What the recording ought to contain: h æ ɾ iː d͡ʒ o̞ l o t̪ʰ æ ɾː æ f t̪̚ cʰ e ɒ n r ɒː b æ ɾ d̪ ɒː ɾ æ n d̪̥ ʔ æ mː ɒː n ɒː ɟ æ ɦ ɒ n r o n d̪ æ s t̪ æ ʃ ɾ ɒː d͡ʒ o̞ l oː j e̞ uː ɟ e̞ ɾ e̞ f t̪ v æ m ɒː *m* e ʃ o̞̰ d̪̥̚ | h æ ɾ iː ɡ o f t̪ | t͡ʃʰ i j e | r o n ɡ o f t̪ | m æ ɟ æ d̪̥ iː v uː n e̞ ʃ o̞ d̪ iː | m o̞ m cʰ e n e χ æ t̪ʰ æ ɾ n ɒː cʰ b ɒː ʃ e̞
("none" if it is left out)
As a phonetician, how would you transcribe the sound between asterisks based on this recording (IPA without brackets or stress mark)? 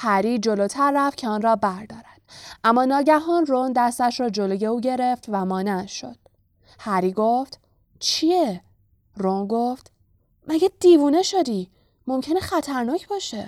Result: n